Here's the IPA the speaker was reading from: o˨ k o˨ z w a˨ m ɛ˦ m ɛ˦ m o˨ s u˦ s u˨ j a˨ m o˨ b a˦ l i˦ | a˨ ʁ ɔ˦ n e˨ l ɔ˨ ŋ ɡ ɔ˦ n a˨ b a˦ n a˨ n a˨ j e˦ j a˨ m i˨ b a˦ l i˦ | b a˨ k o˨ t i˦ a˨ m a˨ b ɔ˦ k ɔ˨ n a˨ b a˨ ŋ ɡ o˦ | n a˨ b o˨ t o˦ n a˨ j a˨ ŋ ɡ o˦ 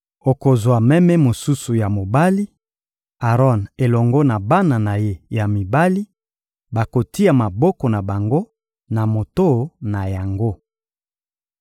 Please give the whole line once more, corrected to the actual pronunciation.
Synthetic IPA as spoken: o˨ k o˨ z w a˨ m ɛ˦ m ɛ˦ m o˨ s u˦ s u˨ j a˨ m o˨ b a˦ l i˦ | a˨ ʁ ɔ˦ n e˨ l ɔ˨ ŋ ɡ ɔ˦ n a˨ b a˦ n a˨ n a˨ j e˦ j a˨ m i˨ b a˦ l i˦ | b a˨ k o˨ t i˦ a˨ m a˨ b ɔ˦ k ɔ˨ n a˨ b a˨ ŋ ɡ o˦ | n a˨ m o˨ t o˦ n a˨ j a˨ ŋ ɡ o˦